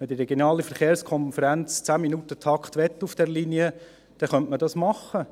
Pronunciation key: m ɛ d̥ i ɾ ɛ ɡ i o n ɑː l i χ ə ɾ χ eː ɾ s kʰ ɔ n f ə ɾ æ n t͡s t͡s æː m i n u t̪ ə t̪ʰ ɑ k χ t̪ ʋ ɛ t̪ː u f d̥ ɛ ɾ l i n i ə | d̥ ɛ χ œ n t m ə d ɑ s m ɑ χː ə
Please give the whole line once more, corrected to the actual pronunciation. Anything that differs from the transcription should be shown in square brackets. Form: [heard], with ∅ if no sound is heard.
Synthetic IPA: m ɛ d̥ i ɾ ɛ ɡ [j] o n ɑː l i [f] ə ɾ χ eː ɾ s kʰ ɔ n f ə ɾ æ n t͡s t͡s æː m i n u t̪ ə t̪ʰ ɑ k χ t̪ ʋ ɛ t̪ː u f d̥ ɛ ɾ l i n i ə | d̥ ɛ χ œ n t m ə d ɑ s m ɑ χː ə